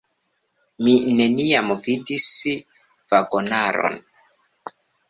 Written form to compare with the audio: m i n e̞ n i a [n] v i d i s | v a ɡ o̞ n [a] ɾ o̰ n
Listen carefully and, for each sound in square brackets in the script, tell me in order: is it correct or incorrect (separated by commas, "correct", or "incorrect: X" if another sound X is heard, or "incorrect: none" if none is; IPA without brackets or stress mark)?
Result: incorrect: m, correct